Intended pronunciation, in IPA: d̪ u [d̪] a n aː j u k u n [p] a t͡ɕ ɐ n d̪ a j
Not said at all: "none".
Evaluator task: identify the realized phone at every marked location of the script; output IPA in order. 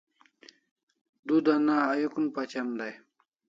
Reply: d̪, p

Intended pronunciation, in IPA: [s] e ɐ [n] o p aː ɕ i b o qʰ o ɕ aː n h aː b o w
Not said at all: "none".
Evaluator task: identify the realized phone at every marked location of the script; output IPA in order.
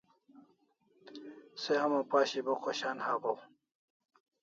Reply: s, m

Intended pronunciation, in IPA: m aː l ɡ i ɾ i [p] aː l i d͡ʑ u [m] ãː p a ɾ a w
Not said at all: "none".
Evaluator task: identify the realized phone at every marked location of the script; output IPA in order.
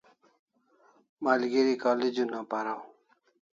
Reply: k, n

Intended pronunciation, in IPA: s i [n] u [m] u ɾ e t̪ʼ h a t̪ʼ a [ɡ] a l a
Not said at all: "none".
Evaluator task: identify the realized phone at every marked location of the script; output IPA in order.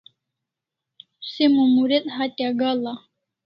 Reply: m, m, ɡ

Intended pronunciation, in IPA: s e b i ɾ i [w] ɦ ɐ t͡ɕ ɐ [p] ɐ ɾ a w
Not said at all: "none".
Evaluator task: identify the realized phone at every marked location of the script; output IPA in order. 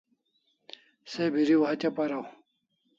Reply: w, p

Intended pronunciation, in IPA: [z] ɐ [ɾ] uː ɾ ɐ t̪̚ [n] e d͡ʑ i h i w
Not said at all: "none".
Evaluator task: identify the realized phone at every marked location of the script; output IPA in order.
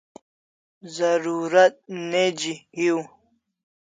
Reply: z, ɾ, n

